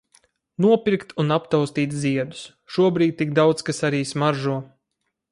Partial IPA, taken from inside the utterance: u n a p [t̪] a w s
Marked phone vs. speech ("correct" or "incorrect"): correct